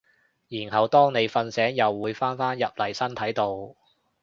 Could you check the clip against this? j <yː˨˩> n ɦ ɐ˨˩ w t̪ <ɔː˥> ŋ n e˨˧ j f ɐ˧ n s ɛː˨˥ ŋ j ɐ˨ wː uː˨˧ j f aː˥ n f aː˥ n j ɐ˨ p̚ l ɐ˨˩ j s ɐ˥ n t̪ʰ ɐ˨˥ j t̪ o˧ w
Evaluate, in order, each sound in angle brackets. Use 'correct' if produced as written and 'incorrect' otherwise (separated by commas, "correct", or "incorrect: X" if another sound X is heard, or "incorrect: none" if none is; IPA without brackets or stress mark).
incorrect: iː˨˩, correct